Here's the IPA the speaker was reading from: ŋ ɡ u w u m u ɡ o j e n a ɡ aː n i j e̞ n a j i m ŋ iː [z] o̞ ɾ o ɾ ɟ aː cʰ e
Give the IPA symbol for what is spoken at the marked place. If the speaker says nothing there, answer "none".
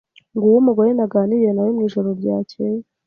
ʒ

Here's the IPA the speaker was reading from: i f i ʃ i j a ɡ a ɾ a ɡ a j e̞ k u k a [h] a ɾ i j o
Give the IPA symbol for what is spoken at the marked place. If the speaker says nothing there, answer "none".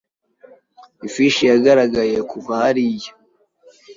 h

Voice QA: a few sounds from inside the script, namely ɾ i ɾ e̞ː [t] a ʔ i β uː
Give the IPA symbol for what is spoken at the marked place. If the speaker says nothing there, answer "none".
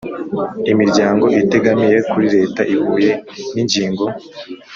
t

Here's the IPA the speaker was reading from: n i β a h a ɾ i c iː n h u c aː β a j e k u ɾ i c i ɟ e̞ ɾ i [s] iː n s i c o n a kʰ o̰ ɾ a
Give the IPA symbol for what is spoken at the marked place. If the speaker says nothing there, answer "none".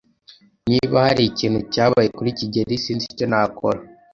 s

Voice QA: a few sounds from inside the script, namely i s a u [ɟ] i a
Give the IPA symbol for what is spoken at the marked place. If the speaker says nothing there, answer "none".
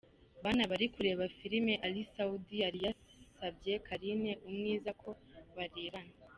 d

